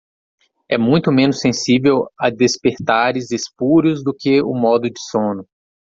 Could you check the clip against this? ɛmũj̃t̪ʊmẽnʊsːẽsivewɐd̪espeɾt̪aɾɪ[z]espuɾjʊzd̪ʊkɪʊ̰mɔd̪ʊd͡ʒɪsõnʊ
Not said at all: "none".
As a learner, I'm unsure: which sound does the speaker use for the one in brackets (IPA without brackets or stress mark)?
z